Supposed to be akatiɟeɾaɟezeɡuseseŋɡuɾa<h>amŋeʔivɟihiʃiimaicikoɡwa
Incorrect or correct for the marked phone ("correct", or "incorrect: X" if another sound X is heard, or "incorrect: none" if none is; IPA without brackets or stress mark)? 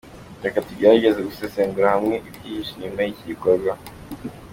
correct